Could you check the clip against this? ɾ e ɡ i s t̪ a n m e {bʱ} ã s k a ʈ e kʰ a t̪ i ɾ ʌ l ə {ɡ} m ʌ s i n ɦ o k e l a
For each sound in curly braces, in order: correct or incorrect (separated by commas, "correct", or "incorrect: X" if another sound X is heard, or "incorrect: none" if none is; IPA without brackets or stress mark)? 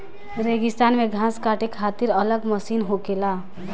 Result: incorrect: ɡʱ, correct